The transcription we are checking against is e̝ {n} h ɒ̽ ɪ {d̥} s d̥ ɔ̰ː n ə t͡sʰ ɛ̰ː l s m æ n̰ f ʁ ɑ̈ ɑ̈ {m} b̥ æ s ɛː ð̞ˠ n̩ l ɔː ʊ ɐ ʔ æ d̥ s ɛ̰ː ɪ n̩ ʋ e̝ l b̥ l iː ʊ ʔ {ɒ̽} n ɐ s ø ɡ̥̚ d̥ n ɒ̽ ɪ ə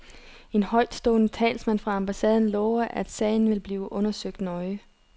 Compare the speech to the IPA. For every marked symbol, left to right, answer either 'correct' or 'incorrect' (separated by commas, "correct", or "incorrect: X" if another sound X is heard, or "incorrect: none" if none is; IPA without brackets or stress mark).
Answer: correct, correct, correct, incorrect: ɔ̽